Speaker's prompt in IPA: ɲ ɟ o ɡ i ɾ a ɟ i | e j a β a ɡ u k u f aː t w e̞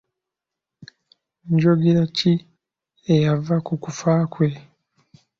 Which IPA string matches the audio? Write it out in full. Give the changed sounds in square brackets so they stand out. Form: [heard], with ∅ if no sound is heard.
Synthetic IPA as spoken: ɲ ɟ o ɡ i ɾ a [c] i | e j a [v] a [k] u k u f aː [k] w e̞